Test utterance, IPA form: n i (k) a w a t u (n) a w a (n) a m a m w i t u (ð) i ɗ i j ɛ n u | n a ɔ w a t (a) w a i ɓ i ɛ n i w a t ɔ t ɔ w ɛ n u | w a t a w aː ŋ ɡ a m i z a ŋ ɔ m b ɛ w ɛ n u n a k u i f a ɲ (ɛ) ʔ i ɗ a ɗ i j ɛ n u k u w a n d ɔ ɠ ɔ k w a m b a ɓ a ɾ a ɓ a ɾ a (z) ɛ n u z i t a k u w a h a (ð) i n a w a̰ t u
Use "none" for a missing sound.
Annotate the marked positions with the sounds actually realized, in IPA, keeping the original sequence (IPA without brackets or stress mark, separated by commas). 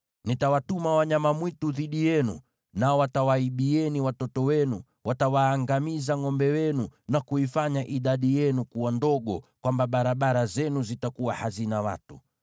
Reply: t, m, ɲ, ð, a, a, z, z